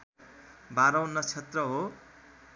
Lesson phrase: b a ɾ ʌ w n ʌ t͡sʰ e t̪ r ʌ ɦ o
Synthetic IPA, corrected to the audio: b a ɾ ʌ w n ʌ t͡sʰ e t̪ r ʌ ɦ o